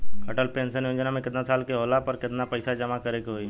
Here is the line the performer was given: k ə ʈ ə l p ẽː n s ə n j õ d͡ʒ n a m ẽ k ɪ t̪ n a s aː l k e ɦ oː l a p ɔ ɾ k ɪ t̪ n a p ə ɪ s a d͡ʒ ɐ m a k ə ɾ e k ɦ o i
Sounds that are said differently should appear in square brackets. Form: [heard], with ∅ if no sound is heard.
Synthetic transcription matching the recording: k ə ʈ ə l p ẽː n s ə n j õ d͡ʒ n a m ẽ k ɪ t̪ n a s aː l k e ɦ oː l a p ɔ ɾ k ɪ t̪ n a p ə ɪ s a d͡ʒ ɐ m a k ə ɾ e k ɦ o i